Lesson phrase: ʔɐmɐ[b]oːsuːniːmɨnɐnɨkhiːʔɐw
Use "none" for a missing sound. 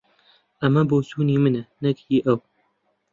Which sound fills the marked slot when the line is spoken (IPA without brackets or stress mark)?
b